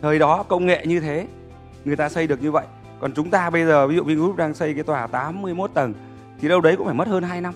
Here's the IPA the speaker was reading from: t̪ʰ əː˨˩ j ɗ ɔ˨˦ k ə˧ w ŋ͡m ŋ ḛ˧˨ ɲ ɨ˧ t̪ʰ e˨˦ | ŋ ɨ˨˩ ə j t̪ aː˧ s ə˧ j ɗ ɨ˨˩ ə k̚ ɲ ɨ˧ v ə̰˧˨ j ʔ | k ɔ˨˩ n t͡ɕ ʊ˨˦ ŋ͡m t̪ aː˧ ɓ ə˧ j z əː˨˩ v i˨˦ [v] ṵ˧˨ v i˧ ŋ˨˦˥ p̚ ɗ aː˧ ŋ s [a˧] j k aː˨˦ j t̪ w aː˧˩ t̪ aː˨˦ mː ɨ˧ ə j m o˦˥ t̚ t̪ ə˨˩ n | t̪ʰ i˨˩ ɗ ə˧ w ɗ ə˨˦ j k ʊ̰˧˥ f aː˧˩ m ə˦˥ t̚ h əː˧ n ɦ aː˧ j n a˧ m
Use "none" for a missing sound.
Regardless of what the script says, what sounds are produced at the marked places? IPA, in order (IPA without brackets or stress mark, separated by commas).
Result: z, ə˧